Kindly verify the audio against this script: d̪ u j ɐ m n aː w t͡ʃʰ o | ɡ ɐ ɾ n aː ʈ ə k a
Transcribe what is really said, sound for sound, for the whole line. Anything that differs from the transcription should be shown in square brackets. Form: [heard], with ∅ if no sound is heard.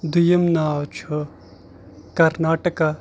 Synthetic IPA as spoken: d̪ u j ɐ m n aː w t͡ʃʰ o | [k] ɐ ɾ n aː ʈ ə k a